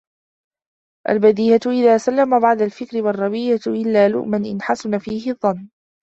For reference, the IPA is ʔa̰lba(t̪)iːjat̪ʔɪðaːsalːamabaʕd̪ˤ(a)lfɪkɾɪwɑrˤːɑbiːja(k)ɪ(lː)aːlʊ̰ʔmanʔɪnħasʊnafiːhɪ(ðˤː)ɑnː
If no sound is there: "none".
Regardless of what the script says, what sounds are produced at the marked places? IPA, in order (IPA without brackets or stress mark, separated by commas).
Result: d̪, a, ʔ, lː, ðˤː